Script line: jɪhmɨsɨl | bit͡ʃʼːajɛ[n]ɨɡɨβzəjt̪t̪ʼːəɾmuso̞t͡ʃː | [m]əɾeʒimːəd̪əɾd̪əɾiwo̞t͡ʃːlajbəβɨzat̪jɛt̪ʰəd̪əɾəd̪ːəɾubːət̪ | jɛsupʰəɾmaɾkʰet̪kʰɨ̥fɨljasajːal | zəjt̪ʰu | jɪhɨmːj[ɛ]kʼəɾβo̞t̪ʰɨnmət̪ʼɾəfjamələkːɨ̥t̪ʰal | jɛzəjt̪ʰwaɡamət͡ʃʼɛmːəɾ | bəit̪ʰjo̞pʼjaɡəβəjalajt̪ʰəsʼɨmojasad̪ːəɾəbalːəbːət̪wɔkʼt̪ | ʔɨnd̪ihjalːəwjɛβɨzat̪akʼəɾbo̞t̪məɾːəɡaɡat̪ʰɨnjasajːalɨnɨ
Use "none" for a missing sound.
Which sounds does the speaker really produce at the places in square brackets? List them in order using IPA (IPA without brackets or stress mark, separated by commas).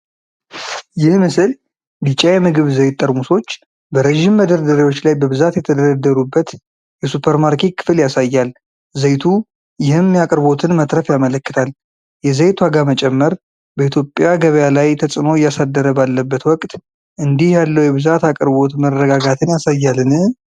m, b, a